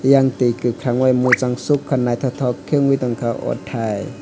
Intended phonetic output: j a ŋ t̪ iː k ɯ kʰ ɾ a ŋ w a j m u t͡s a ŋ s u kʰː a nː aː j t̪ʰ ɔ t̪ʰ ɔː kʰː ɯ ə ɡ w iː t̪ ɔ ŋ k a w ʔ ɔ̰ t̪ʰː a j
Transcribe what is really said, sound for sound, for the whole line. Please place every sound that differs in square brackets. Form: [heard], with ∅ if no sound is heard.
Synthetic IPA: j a ŋ t̪ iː k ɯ kʰ ɾ a ŋ w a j m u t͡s a ŋ s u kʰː a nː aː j t̪ʰ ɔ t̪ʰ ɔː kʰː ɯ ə [ŋ] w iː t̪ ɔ ŋ k a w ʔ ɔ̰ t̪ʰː a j

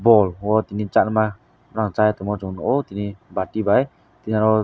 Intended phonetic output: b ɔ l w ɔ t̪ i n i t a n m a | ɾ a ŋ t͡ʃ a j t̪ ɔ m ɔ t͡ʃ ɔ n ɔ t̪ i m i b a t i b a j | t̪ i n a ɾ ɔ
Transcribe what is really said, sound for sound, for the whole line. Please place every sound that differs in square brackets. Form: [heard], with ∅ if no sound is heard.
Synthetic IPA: b ɔ l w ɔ t̪ i n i [t͡ʃ] a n m a | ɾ a ŋ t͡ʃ a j t̪ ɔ m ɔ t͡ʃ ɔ n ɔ t̪ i [n] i b a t i b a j | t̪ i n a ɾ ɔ

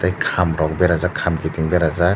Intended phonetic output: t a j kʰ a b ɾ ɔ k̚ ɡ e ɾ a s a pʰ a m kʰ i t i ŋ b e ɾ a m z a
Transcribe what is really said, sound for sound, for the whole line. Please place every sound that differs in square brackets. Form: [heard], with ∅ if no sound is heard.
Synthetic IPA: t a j kʰ a [m] ɾ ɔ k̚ [b] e ɾ a [z] a [kʰ] a m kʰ i t i ŋ b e ɾ a [∅] z a

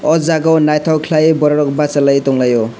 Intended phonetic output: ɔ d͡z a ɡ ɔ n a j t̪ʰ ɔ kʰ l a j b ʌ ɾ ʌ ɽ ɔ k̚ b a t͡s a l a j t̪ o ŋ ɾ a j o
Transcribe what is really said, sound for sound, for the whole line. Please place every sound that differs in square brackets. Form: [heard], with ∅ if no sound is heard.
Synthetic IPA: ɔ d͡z a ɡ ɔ n a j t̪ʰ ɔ kʰ l a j b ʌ ɾ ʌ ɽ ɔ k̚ b a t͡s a l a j t̪ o ŋ [l] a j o

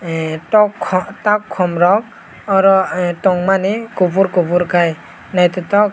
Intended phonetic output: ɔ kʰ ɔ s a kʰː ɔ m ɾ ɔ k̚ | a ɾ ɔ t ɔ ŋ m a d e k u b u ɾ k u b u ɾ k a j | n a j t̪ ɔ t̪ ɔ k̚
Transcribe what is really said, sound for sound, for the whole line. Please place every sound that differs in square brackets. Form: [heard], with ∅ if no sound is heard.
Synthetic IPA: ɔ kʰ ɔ [t] a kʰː ɔ m ɾ ɔ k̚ | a ɾ ɔ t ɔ ŋ m a [n] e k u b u ɾ k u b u ɾ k a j | n a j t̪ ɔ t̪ ɔ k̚

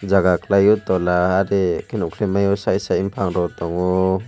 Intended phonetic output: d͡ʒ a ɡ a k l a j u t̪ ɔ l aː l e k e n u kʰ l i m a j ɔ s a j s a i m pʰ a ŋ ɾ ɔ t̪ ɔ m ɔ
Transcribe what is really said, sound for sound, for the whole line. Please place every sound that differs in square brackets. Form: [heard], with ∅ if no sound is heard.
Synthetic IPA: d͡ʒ a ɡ a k l a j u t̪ ɔ l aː [ɾ] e k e n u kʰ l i m a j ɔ s a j s a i m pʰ a ŋ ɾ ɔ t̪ ɔ [ŋ] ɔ

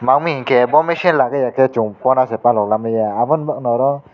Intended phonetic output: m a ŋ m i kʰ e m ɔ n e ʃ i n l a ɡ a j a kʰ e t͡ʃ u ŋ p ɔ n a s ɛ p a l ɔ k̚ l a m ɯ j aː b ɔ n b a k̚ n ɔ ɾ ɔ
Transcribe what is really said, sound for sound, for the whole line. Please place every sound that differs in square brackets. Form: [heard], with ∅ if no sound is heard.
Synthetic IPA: m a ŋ m i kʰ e [b] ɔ [m] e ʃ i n l a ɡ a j a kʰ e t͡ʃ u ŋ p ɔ n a s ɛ p a l ɔ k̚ l a m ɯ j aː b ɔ n b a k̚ n ɔ ɾ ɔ

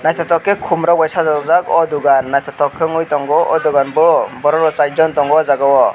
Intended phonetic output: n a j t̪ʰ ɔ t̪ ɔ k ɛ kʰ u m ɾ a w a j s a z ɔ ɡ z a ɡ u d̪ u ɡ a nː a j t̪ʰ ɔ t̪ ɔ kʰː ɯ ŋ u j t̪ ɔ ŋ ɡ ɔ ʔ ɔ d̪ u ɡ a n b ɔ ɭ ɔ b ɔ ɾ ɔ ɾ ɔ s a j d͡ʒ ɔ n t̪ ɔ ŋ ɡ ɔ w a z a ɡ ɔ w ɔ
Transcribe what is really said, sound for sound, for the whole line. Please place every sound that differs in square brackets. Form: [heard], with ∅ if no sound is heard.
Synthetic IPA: n a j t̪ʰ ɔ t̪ ɔ k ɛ kʰ u m ɾ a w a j s a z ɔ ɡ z a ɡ [ɔ] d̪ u ɡ a nː a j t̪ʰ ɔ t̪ ɔ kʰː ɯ ŋ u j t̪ ɔ ŋ ɡ ɔ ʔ ɔ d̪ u ɡ a n b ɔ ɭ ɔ b ɔ ɾ ɔ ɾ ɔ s a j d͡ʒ ɔ n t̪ ɔ ŋ ɡ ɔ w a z a ɡ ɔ w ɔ

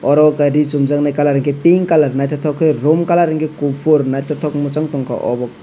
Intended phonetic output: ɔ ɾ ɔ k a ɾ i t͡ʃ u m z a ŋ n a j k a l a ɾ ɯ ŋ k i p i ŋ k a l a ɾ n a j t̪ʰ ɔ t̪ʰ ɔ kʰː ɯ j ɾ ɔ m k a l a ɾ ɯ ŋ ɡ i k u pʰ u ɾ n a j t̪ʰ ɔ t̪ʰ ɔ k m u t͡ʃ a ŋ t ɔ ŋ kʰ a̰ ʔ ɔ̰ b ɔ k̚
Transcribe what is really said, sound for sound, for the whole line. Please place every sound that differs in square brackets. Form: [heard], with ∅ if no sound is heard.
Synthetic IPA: ɔ ɾ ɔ k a ɾ i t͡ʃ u m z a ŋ n a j k a l a ɾ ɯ ŋ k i p i ŋ k a l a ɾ n a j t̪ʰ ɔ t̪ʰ ɔ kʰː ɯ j ɾ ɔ m k a l a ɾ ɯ ŋ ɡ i k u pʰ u ɾ n a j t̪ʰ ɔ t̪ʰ ɔ k m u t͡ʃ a ŋ t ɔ ŋ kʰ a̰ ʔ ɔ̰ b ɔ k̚

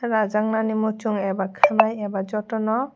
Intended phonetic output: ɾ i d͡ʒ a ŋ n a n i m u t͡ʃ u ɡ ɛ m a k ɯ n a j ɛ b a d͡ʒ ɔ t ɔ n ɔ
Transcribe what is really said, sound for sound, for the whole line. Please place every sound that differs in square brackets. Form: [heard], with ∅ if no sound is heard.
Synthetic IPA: ɾ [a] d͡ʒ a ŋ n a n i m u t͡ʃ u [ŋ] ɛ [b] a [kʰ] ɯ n a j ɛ b a d͡ʒ ɔ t ɔ n ɔ

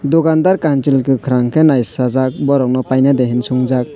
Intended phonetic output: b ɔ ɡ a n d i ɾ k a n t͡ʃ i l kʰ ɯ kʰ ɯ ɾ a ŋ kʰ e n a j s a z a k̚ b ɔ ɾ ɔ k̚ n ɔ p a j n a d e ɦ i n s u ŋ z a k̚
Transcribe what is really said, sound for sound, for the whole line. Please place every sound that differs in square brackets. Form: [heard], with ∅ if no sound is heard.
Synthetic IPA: [d] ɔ ɡ a n d [a] ɾ k a n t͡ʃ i l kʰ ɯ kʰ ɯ ɾ a ŋ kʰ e n a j s a z a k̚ b ɔ ɾ ɔ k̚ n ɔ p a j n a d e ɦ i n s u ŋ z a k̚

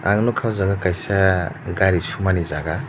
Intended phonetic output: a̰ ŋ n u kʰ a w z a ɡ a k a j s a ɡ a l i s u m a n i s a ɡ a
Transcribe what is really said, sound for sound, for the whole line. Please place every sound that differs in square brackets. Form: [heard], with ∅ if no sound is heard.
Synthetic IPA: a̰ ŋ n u kʰ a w z a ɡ a k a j s a ɡ a [ɾ] i s u m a n i [z] a ɡ a

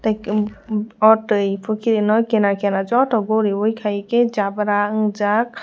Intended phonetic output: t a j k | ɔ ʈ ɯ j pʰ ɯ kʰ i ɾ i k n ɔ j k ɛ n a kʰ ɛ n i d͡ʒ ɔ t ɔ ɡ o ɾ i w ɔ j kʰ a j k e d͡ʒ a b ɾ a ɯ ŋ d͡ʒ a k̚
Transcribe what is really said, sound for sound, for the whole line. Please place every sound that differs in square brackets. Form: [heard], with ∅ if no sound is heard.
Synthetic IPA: t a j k | ɔ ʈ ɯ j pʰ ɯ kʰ i ɾ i [∅] n ɔ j k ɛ n a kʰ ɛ n [a] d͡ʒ ɔ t ɔ ɡ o ɾ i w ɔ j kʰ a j k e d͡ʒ a b ɾ a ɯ ŋ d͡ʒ a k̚

